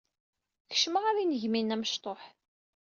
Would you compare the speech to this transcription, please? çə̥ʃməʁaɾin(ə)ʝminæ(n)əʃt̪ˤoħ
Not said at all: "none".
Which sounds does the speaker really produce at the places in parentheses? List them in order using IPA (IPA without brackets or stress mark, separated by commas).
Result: ə, m